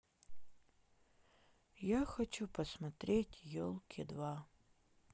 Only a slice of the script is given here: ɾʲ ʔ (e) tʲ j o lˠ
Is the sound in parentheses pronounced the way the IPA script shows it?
yes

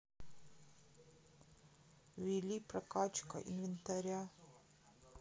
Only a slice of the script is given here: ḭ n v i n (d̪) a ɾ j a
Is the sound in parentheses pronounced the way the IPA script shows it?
no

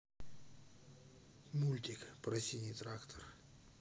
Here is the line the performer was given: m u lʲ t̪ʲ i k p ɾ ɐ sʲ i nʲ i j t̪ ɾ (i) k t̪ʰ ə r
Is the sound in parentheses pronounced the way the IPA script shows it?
no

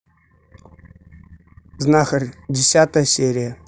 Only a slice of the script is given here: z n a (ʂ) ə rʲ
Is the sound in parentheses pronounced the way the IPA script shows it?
no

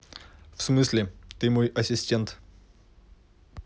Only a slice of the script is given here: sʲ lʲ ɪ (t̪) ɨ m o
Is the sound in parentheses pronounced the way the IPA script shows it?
yes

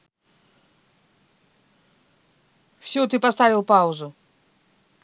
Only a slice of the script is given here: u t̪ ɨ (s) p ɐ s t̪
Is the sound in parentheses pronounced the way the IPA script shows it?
no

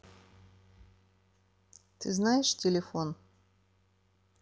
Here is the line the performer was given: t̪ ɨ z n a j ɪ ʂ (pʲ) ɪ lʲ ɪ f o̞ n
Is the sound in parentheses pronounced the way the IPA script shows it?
no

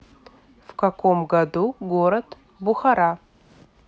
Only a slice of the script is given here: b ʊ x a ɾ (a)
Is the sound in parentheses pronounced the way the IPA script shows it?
yes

